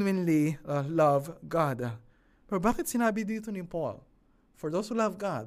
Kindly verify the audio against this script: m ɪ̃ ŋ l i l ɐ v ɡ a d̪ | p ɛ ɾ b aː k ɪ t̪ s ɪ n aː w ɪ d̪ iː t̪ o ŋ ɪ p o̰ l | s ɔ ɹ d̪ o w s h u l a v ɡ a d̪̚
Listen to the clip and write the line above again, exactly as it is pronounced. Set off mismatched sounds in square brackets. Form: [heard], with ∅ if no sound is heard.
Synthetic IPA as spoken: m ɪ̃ [n] l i l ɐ v ɡ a d̪ | p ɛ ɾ b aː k ɪ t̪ s ɪ n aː [b] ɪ d̪ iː t̪ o [n] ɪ p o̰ l | [f] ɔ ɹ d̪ o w s h u l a v ɡ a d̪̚